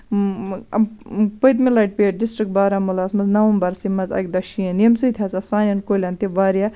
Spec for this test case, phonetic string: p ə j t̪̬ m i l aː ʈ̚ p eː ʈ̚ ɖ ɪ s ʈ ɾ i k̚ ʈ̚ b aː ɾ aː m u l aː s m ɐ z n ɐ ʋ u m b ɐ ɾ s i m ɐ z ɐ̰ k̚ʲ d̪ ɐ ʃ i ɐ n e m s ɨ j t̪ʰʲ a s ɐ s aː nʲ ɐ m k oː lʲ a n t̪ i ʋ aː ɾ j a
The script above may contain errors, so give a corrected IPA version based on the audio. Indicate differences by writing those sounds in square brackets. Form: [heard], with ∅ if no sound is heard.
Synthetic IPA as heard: p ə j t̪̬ m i l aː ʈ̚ p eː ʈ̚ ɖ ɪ s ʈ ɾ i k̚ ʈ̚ b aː ɾ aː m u l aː s m ɐ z n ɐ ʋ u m b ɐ ɾ s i m ɐ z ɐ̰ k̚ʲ d̪ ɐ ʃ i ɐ n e m s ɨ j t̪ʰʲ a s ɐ s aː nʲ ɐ [n] k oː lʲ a n t̪ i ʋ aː ɾ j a

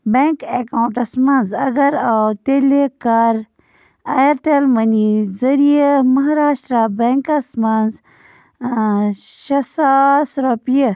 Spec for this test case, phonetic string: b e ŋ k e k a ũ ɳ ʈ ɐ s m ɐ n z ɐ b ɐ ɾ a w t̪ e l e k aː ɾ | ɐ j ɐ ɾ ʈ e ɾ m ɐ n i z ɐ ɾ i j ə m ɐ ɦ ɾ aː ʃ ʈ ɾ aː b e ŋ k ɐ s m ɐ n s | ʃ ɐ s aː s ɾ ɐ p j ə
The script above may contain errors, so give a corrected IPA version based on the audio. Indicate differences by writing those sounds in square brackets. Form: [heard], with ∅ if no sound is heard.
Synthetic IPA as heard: b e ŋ k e k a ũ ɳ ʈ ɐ s m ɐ n z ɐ [ɡ] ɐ ɾ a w t̪ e l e k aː ɾ | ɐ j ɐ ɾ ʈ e [l] m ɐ n i z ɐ ɾ i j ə m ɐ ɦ ɾ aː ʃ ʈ ɾ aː b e ŋ k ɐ s m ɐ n [z] | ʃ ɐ s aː s ɾ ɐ p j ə

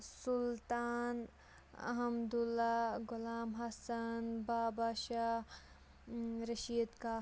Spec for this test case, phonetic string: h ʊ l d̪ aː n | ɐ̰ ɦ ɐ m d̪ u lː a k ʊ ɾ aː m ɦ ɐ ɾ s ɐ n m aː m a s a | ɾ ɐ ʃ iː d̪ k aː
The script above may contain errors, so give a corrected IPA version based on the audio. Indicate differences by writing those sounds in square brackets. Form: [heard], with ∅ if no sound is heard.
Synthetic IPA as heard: [s] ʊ l [t̪] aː n | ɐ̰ ɦ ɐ m d̪ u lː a [ɡ] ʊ [l] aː m ɦ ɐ [∅] s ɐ n [b] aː [b] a [ʃ] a | ɾ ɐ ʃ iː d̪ k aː

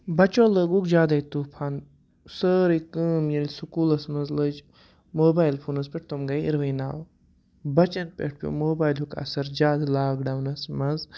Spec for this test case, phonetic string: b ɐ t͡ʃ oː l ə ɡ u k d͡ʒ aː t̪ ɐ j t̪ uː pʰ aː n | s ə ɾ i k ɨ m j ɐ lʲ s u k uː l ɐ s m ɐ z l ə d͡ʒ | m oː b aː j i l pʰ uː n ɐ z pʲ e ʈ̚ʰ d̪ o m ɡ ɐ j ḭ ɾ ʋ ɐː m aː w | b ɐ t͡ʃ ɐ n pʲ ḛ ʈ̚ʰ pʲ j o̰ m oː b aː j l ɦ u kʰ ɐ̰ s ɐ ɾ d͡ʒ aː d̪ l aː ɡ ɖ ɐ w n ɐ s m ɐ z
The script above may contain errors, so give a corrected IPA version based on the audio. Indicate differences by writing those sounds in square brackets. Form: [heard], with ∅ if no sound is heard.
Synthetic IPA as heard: b ɐ t͡ʃ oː l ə ɡ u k d͡ʒ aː [d̪] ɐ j t̪ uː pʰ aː n | s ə ɾ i k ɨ m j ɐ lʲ s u k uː l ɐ s m ɐ z l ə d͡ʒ | m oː b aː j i l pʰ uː n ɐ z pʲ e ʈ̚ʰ [t̪] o m ɡ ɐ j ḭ ɾ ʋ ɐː [n] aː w | b ɐ t͡ʃ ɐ n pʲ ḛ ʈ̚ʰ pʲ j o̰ m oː b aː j l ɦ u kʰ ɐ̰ s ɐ ɾ d͡ʒ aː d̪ l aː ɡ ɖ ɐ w n ɐ s m ɐ z

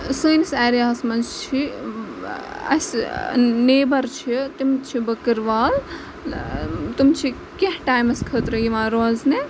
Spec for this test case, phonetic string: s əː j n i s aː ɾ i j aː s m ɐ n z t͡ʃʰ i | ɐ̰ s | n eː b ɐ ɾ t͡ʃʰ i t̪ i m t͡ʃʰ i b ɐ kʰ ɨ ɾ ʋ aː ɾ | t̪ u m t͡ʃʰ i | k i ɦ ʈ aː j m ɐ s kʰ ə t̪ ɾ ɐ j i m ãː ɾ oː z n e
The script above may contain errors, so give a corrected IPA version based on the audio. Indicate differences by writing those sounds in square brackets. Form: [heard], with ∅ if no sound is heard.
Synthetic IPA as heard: s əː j n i s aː ɾ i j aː s m ɐ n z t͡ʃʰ i | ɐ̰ s | n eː b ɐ ɾ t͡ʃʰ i t̪ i m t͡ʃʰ i b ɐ [k] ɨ ɾ ʋ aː [l] | t̪ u m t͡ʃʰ i | k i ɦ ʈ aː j m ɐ s kʰ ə t̪ ɾ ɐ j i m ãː ɾ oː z n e

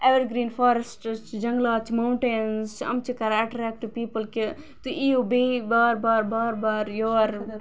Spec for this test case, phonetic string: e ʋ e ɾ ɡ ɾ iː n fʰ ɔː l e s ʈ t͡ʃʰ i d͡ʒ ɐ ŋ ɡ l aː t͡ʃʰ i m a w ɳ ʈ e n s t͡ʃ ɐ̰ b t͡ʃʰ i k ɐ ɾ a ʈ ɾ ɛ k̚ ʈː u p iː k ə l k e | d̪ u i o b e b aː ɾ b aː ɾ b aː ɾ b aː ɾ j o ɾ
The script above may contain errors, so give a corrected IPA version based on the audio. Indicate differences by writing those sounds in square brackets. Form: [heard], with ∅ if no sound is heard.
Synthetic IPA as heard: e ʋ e ɾ ɡ ɾ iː n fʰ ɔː [ɾ] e s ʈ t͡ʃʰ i d͡ʒ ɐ ŋ ɡ l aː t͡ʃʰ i m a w ɳ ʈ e n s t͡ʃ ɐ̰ [m] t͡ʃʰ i k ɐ ɾ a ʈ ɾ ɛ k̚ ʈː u p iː [p] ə l k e | [t̪] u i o b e b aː ɾ b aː ɾ b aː ɾ b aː ɾ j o ɾ

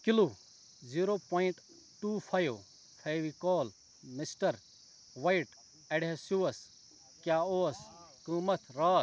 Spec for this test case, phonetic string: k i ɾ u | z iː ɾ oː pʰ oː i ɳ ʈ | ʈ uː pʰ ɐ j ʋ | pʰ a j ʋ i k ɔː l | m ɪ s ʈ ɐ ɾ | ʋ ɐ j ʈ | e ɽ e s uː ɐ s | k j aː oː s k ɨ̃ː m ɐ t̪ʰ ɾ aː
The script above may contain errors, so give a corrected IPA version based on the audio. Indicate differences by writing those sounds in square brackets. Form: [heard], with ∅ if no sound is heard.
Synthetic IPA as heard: k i [l] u | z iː ɾ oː [p] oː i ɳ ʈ | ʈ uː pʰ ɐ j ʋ | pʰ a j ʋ i k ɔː l | m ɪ s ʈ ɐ ɾ | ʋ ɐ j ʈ | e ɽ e s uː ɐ s | k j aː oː s k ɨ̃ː m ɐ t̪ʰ ɾ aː

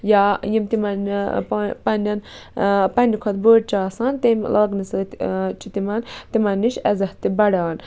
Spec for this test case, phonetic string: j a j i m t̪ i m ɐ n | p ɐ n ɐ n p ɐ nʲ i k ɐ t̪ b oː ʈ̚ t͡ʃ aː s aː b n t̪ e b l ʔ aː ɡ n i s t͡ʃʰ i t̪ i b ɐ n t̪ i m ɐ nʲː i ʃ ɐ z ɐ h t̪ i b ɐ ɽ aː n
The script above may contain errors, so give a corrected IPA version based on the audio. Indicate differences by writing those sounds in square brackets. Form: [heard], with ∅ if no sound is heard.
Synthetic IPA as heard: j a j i m t̪ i m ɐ n | p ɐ n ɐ n p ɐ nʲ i [kʰ] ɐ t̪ b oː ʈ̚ t͡ʃ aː s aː [∅] n t̪ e [m] l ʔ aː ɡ n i s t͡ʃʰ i t̪ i [m] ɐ n t̪ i m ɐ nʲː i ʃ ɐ z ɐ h t̪ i b ɐ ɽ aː n

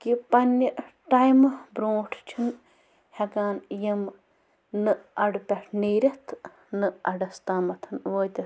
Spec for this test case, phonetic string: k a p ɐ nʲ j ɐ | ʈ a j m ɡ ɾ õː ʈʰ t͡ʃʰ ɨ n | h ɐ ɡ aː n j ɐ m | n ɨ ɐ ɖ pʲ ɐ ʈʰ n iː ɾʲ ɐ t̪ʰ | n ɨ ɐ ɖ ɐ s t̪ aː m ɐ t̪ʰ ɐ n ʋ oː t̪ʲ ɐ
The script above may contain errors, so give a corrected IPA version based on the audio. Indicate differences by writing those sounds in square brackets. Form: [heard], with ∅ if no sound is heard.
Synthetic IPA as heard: k [i] p ɐ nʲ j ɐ | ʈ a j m [b] ɾ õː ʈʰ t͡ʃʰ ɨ n | h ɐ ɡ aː n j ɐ m | n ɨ ɐ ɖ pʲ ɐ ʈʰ n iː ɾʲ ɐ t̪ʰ | n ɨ ɐ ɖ ɐ s t̪ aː m ɐ t̪ʰ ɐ n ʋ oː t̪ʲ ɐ

